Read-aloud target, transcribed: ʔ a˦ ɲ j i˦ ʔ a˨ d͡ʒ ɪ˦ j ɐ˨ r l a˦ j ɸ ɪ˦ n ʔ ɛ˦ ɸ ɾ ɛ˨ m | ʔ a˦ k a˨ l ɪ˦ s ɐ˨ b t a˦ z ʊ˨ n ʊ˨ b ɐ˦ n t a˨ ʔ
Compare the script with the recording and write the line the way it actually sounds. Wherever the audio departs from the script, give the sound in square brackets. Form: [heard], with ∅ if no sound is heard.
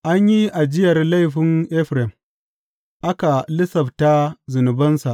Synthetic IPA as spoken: ʔ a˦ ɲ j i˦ ʔ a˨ d͡ʒ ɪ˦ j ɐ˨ r l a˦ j ɸ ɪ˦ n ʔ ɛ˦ ɸ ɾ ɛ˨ m | ʔ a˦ k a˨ l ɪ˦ s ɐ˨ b t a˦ z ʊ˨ n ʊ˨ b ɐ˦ n [s] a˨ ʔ